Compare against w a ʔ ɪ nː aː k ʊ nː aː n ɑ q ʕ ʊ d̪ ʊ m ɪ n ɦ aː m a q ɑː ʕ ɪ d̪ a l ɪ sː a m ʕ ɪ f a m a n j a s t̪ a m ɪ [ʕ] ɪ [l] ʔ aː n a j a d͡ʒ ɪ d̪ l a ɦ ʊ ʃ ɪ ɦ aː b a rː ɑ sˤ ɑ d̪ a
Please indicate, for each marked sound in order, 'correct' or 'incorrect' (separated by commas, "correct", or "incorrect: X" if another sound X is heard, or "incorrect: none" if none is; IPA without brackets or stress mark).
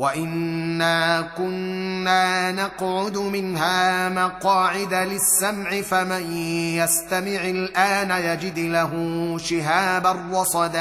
correct, correct